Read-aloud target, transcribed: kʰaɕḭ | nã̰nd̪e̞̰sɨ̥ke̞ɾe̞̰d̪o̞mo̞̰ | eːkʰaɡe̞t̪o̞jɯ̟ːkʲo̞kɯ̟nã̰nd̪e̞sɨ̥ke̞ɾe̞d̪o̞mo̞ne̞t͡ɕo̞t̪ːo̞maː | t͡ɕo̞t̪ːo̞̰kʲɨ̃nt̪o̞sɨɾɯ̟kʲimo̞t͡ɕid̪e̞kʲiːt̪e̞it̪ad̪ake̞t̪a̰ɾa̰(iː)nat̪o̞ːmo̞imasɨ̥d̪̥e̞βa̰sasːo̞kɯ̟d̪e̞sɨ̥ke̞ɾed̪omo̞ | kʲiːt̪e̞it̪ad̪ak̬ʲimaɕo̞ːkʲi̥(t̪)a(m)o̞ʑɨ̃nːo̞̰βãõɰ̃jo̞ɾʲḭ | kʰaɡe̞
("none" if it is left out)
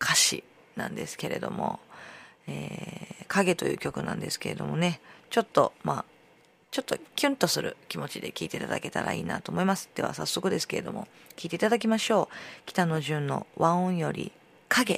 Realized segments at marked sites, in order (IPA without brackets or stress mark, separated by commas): iː, t̪, n